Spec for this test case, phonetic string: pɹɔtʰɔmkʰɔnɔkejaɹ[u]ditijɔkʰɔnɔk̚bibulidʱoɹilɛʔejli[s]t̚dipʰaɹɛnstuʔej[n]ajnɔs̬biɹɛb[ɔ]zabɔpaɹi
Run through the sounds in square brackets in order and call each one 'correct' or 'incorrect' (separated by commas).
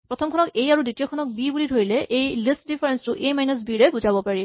correct, correct, incorrect, incorrect